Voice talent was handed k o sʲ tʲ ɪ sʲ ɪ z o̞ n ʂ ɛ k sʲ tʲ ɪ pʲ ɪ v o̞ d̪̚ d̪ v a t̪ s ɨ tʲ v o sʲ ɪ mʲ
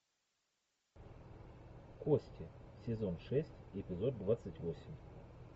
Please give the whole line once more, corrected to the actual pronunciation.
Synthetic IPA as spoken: k o sʲ tʲ ɪ sʲ ɪ z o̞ n ʂ ɛ sʲ tʲ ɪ pʲ ɪ z o̞ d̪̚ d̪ v a t̪ s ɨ tʲ v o sʲ ɪ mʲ